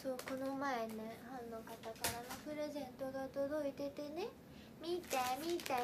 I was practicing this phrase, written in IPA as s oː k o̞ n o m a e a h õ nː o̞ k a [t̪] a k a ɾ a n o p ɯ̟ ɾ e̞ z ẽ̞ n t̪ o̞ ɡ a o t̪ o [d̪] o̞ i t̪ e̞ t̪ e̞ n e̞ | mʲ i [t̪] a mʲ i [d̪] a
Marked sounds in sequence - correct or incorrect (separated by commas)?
correct, correct, correct, incorrect